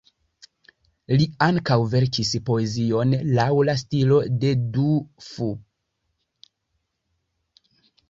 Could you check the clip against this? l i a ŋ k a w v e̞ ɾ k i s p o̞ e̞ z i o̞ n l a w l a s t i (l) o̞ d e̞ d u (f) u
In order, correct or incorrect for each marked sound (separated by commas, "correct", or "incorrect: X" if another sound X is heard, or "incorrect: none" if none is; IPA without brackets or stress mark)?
correct, correct